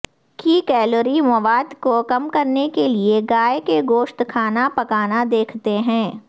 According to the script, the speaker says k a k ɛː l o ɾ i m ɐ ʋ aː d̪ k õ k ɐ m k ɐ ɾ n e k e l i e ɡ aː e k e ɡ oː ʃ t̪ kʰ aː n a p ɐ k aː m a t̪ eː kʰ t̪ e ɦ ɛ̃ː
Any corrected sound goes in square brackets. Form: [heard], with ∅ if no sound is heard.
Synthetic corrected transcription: k [i] k ɛː l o ɾ i m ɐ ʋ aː d̪ k [o] k ɐ m k ɐ ɾ n e k e l i e ɡ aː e k e ɡ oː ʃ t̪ kʰ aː n a p ɐ k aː [n] a [d̪] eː kʰ t̪ e ɦ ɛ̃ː

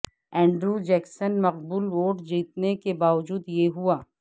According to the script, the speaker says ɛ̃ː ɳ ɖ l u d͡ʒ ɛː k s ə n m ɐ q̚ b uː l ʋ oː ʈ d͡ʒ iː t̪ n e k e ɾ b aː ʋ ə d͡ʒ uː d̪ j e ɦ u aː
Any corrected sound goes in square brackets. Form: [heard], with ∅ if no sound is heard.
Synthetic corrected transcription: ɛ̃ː ɳ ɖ [ɾ] u d͡ʒ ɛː k s ə n m ɐ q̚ b uː l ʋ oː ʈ d͡ʒ iː t̪ n e k e [∅] b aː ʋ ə d͡ʒ uː d̪ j e ɦ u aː

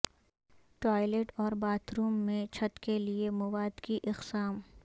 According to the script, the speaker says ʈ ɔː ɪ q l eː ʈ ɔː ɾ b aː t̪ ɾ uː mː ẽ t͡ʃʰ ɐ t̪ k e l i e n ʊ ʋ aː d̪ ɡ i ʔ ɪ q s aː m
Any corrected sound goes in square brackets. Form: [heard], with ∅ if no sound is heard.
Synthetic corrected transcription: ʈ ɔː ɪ [∅] l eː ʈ ɔː ɾ b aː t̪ ɾ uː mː ẽ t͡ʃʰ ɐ t̪ k e l i e [m] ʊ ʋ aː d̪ [k] i ʔ ɪ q s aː m

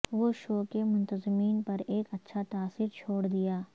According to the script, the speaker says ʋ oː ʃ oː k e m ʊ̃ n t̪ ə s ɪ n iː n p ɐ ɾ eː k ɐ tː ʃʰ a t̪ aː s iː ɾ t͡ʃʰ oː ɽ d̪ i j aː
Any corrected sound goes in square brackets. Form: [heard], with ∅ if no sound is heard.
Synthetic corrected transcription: ʋ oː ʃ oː k e m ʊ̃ n t̪ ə [z] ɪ [m] iː n p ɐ ɾ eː k ɐ tː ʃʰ a t̪ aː s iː ɾ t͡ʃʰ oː ɽ d̪ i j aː

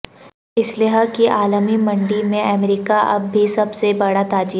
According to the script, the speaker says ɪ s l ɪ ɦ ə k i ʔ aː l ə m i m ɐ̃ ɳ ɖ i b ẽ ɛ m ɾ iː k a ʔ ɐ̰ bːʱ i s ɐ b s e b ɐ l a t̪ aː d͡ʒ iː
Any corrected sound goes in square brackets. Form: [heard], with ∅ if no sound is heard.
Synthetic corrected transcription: ɪ s l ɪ ɦ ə k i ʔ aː l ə m i m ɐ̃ ɳ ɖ i [m] ẽ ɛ m ɾ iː k a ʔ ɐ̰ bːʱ i s ɐ b s e b ɐ [ɽ] a t̪ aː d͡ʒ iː

